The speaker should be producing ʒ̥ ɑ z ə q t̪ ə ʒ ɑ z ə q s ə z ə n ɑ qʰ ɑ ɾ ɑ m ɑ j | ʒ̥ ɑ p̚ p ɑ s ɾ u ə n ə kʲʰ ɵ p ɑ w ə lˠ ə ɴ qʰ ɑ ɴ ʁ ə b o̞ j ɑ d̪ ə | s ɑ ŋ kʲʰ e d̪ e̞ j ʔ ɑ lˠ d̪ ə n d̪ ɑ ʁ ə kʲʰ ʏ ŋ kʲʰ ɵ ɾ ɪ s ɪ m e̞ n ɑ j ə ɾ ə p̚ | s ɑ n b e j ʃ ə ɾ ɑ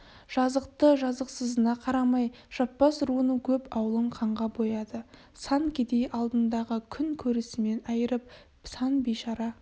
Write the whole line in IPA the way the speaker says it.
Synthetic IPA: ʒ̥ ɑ z ə q t̪ ə ʒ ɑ z ə q s ə z ə n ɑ qʰ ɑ ɾ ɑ m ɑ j | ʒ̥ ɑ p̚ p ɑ s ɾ u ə n ə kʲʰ ɵ p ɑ w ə lˠ ə ɴ qʰ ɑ ɴ ʁ ɑ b o̞ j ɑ d̪ ə | s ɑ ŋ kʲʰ e d̪ e̞ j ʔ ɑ lˠ d̪ ə n d̪ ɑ ʁ ə kʲʰ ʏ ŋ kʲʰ ɵ ɾ ɪ s ɪ m e̞ n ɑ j ə ɾ ə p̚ | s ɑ n b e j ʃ ɑ ɾ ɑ